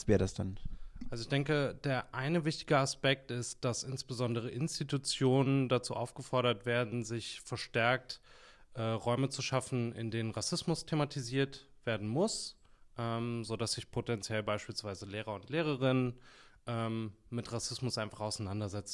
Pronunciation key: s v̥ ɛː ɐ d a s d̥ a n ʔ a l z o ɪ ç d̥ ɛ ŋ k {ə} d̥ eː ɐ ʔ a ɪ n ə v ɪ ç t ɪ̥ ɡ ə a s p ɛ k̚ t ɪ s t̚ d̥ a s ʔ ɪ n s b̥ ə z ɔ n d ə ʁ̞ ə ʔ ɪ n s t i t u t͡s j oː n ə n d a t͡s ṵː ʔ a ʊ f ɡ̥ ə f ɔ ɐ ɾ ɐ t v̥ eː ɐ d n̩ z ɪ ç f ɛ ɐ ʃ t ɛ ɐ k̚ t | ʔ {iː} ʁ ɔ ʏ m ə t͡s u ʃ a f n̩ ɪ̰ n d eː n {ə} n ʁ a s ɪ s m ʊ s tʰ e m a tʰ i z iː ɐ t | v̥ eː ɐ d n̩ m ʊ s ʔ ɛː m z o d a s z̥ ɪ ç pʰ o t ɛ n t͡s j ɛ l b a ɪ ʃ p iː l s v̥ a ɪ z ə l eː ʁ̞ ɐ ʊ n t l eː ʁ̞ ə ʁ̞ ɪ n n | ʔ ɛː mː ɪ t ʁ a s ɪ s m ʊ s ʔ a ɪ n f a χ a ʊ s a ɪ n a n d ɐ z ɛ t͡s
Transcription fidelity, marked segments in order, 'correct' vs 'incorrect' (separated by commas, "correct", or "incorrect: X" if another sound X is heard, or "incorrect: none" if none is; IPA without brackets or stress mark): correct, incorrect: ɛː, correct